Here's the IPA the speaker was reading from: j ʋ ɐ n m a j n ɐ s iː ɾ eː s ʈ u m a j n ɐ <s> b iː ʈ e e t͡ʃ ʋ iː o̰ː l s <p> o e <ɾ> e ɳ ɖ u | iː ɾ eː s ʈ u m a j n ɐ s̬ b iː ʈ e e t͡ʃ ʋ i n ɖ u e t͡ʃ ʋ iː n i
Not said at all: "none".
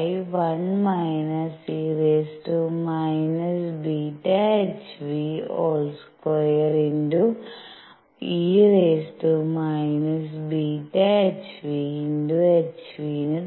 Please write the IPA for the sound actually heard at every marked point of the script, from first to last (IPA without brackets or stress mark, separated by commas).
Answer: s, k, ɾ